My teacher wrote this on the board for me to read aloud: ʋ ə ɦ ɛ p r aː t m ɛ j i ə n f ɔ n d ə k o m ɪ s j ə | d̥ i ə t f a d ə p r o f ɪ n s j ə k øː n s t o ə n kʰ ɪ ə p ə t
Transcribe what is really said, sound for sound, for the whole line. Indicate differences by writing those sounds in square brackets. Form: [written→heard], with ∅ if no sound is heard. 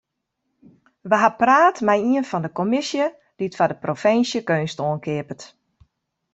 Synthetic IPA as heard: ʋ ə ɦ [ɛ→a] p r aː t m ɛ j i ə n f ɔ n d ə k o m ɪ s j ə | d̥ i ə t f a d ə p r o f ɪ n s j ə k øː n s t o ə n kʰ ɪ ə p ə t